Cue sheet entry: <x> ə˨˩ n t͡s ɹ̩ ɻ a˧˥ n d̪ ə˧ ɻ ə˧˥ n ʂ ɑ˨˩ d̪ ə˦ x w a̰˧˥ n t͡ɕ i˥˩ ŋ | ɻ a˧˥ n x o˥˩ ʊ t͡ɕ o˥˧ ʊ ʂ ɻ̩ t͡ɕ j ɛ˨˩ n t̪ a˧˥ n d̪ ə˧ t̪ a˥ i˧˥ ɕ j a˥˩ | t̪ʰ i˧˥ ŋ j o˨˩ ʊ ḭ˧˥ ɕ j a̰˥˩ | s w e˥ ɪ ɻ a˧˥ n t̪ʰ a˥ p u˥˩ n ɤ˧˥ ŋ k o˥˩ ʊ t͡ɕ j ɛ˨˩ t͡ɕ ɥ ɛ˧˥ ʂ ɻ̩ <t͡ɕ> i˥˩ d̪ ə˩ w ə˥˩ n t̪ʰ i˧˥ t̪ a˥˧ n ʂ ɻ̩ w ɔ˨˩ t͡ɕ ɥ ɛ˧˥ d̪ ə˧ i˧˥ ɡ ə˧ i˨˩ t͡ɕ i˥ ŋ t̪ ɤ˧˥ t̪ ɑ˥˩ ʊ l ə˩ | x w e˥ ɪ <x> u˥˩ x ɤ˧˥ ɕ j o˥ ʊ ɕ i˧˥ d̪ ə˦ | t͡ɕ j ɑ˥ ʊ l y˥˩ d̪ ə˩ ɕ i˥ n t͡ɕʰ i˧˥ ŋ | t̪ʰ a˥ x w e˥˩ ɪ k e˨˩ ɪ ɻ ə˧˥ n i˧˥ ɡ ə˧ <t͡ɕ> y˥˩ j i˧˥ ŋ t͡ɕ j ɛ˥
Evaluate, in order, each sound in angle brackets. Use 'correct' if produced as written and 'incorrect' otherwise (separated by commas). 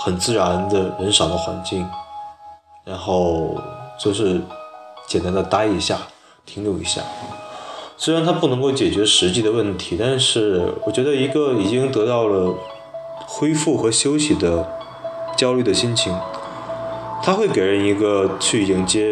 correct, correct, incorrect, incorrect